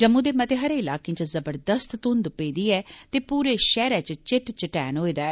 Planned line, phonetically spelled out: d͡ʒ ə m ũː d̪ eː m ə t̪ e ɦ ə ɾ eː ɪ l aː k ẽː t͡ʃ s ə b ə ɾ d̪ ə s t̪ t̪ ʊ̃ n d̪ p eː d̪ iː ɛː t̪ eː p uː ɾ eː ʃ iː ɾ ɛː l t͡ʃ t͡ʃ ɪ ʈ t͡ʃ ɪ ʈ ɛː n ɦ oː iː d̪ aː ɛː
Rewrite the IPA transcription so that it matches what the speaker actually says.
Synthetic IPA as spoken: d͡ʒ ə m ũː d̪ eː m ə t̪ e ɦ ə ɾ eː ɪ l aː k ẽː t͡ʃ z ə b ə ɾ d̪ ə s t̪ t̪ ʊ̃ n d̪ p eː d̪ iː ɛː t̪ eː p uː ɾ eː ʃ ɛː ɾ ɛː t͡ʃ t͡ʃ ɪ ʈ t͡ʃ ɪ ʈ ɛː n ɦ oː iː d̪ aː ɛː